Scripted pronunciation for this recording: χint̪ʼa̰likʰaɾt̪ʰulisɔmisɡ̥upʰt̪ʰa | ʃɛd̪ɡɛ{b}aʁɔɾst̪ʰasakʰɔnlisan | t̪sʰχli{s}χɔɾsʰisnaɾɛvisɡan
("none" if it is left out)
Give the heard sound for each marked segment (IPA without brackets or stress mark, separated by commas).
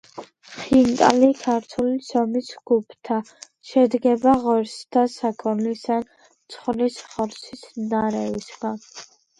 b, s